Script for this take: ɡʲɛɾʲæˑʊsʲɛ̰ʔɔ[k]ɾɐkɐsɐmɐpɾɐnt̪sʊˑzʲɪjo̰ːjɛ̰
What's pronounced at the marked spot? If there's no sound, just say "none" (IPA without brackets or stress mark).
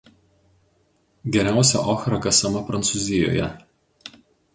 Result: x